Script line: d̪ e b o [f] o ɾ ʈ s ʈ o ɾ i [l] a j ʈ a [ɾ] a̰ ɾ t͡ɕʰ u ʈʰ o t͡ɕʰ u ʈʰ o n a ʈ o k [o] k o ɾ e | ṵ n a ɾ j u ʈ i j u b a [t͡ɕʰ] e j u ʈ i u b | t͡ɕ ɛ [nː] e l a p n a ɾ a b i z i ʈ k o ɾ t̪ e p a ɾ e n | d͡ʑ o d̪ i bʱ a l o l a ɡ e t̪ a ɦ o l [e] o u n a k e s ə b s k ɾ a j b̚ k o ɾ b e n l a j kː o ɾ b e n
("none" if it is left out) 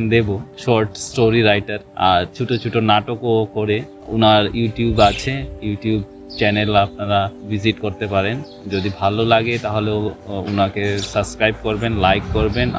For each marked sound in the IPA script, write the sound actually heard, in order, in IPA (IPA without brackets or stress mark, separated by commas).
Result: ʃ, ɾ, ɾ, o, t͡ɕʰ, n, e